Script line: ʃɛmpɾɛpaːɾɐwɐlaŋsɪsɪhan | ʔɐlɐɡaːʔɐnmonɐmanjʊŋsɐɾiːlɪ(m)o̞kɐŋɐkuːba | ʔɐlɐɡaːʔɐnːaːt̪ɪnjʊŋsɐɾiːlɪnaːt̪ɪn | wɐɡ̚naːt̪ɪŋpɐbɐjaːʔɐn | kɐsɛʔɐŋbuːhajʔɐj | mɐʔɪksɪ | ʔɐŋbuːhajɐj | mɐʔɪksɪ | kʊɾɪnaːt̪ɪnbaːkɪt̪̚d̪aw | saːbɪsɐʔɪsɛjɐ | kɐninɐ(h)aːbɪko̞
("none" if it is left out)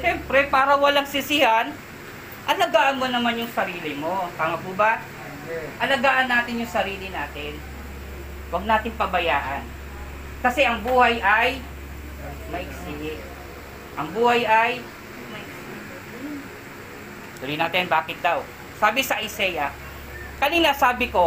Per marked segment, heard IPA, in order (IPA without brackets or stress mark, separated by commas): m, s